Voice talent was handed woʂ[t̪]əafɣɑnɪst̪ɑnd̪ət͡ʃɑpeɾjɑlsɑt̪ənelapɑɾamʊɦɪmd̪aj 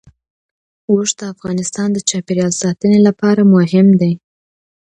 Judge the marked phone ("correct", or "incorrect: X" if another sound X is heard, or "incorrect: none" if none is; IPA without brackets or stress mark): incorrect: d̪